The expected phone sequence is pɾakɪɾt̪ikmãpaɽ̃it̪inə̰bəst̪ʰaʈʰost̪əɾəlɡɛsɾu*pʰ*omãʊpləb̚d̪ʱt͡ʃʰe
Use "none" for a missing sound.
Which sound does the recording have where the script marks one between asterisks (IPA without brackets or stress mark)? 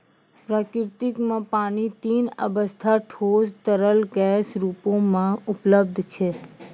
p